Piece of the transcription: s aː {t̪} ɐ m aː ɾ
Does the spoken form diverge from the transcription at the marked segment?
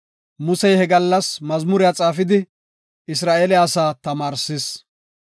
no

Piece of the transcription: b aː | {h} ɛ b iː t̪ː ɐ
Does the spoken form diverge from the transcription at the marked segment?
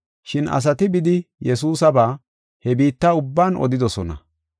no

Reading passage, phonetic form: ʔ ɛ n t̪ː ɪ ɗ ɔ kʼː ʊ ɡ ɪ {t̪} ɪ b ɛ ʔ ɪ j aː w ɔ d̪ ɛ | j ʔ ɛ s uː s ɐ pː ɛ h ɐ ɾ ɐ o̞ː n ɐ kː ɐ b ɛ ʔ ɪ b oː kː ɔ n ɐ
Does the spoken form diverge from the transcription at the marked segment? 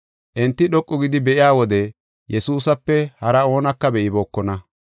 yes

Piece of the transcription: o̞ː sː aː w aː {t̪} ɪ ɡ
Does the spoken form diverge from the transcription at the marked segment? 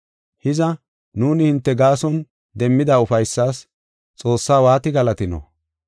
no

